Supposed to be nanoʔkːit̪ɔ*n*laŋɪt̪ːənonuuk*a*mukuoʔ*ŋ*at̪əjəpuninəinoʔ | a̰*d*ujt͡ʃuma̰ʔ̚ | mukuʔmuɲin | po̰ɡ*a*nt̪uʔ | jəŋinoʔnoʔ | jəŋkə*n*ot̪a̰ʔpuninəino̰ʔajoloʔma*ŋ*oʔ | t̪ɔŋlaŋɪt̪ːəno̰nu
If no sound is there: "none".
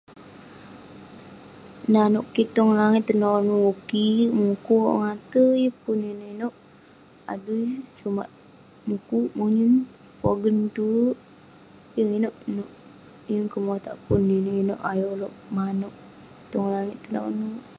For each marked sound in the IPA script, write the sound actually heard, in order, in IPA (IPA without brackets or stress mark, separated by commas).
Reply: ŋ, i, ŋ, d, ə, m, n